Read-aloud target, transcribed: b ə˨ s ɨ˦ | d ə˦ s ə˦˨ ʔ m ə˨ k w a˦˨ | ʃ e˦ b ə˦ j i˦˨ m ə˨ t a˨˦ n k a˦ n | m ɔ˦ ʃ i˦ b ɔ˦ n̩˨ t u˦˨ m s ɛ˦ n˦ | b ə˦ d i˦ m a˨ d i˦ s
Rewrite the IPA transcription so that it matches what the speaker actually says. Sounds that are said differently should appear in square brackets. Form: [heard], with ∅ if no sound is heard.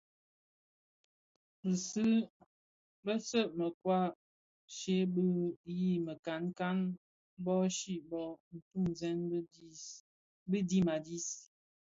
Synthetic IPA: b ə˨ s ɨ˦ | [b] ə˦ s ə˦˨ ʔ m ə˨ k w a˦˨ | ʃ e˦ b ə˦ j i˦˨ m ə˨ [k] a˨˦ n k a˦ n | [b] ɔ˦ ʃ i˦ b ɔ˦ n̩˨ t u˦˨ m [z] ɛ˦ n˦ | b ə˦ d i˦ m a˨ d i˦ s